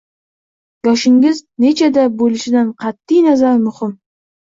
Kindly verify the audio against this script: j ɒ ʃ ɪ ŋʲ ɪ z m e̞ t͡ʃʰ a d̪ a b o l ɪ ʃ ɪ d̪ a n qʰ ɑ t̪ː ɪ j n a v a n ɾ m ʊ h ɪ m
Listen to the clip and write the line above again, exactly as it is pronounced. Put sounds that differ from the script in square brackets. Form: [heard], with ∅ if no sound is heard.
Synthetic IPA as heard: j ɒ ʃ ɪ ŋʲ ɪ z [n] e̞ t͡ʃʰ a d̪ a b o l ɪ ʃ ɪ d̪ a n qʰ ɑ t̪ː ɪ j n a [z] a [∅] ɾ m ʊ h ɪ m

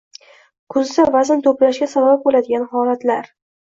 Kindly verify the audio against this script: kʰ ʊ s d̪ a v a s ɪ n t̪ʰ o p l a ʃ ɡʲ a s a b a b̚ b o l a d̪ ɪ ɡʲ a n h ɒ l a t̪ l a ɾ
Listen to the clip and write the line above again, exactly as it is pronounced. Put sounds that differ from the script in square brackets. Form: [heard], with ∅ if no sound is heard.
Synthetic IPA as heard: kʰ ʊ [z] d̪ a v a [z] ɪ n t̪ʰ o p l a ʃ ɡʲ a s a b a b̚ b o l a d̪ ɪ ɡʲ a n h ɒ l a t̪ l a ɾ

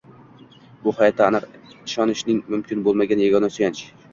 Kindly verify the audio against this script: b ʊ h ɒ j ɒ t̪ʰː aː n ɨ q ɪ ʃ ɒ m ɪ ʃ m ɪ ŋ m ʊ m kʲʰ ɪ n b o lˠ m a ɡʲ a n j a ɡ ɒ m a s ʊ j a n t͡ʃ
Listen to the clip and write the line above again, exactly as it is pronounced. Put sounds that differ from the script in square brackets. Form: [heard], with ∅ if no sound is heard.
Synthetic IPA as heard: b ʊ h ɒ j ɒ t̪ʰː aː n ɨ q ɪ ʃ ɒ [n] ɪ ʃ [n] ɪ ŋ m ʊ m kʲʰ ɪ n b o lˠ m a ɡʲ a n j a ɡ ɒ [n] a s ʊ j a n t͡ʃ

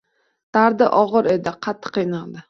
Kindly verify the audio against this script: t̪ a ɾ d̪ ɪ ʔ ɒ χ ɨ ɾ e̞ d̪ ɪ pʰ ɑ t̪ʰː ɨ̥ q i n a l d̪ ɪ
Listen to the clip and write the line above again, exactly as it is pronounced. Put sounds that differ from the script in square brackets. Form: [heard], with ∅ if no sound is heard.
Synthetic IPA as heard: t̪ a ɾ d̪ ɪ ʔ ɒ [ʁ] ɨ ɾ e̞ d̪ ɪ [qʰ] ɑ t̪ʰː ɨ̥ q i n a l d̪ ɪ

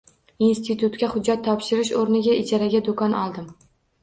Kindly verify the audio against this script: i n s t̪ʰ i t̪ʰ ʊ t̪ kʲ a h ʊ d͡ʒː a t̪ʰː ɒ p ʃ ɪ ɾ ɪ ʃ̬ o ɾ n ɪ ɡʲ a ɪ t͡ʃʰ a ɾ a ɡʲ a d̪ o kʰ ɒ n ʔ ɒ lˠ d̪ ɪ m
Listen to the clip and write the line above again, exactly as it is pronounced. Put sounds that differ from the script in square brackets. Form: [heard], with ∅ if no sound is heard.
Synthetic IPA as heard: i n s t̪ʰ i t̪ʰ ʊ t̪ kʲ a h ʊ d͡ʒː a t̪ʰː ɒ p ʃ ɪ ɾ ɪ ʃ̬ o ɾ n ɪ ɡʲ a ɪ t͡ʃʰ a ɾ a ɡʲ a d̪ o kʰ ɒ n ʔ ɒ lˠ d̪ ɪ m

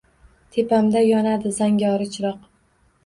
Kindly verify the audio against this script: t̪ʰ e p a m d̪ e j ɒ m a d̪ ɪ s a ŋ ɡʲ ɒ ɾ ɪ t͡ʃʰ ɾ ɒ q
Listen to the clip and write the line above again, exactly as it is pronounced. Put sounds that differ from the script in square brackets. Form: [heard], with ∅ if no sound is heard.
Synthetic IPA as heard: t̪ʰ e p a m d̪ [a] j ɒ [n] a d̪ ɪ [z] a ŋ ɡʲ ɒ ɾ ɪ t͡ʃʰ ɾ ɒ q

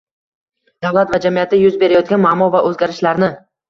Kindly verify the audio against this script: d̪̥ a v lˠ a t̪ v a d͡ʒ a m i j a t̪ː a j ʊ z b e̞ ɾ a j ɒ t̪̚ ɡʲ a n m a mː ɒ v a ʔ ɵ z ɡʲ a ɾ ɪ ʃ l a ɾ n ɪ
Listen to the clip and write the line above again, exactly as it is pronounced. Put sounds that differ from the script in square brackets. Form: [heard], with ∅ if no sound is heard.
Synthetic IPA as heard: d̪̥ a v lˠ a t̪ v a d͡ʒ a m i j a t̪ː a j ʊ z b e̞ ɾ a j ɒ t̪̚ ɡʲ a n m a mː ɒ v a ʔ ɵ z ɡʲ a ɾ ɪ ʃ l a ɾ n ɪ

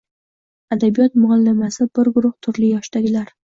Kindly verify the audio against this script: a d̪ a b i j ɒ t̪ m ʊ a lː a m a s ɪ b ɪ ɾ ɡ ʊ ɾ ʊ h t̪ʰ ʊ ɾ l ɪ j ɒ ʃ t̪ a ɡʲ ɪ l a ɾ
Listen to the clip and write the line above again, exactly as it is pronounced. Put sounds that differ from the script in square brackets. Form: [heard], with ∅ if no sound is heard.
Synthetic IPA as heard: a d̪ a b i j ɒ t̪ m ʊ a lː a m a s ɪ b ɪ ɾ ɡ ʊ ɾ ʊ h t̪ʰ ʊ ɾ l ɪ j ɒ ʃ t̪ a ɡʲ ɪ l a ɾ

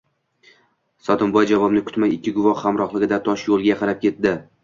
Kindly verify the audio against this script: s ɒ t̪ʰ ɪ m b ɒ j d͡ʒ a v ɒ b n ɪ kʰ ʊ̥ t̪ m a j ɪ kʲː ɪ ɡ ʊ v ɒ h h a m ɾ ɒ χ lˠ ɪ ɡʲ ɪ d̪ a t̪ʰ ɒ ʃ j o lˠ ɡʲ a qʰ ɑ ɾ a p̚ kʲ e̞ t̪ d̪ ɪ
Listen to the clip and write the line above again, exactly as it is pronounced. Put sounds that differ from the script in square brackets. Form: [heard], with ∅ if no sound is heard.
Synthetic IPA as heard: s ɒ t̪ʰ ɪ m b ɒ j d͡ʒ a v ɒ b n ɪ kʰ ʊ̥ t̪ m a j ɪ kʲː ɪ ɡ ʊ v ɒ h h a m ɾ ɒ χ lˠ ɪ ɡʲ ɪ d̪ a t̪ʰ ɒ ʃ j o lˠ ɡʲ a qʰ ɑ ɾ a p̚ kʲ e̞ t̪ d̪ ɪ

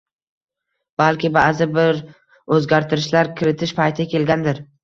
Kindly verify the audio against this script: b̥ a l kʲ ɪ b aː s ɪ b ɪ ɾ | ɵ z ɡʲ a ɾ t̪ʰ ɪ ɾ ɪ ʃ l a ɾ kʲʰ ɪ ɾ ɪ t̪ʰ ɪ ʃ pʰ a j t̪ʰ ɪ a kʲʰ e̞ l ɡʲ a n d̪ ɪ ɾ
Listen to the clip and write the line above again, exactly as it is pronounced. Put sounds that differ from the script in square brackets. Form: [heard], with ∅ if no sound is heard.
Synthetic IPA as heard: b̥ a l kʲ ɪ b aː [z] ɪ b ɪ ɾ | ɵ z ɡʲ a ɾ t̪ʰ ɪ ɾ ɪ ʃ l a ɾ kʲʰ ɪ ɾ ɪ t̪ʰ ɪ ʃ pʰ a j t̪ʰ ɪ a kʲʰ e̞ l ɡʲ a n d̪ ɪ ɾ

